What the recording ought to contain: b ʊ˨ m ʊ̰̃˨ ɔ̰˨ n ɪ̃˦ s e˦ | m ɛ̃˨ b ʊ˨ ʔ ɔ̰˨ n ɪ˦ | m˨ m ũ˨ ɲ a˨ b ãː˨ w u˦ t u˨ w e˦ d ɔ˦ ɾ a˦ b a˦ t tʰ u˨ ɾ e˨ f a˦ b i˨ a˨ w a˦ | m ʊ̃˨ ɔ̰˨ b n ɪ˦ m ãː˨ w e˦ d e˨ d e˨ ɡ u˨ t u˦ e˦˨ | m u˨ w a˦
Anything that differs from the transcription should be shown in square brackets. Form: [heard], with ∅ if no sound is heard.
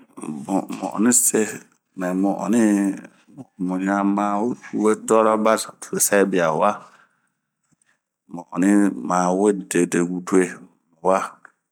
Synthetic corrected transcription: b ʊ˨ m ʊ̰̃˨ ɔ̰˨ n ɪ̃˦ s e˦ | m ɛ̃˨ [m] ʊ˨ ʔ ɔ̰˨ n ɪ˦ | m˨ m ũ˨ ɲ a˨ [m] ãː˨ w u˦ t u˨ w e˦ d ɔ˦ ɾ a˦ b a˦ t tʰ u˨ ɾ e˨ [s] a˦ b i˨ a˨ w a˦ | m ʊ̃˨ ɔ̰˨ [∅] n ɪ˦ m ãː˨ w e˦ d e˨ d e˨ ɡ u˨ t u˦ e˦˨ | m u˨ w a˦